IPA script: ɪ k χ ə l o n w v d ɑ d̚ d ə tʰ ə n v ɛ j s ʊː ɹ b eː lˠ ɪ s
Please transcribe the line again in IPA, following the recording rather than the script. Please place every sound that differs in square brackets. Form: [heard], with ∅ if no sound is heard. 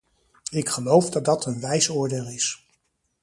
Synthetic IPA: ɪ k χ ə l o [∅] w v d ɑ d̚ d [ɑ] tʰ ə n [ʋ] ɛ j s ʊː ɹ [d] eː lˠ ɪ s